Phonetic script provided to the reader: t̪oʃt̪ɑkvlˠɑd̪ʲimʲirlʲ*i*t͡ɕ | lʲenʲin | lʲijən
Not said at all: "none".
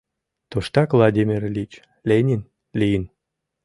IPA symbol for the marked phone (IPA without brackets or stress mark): i